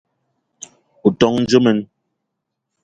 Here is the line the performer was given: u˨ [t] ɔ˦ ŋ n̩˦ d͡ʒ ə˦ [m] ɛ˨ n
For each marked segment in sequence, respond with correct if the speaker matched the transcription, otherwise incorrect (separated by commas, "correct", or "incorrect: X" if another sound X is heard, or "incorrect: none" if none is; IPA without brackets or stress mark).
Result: correct, correct